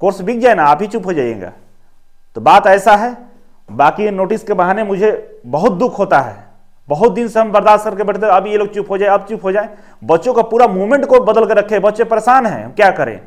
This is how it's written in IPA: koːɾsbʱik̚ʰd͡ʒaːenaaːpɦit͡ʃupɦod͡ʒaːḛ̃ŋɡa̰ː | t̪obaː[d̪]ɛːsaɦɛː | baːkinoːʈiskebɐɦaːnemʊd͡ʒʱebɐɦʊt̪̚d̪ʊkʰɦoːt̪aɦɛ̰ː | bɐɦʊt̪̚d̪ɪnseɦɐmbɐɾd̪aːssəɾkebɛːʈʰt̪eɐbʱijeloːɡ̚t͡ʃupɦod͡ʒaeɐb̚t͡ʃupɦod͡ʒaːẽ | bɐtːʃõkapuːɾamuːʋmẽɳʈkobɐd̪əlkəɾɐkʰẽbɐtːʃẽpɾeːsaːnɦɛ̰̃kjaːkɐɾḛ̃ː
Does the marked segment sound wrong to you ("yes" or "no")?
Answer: yes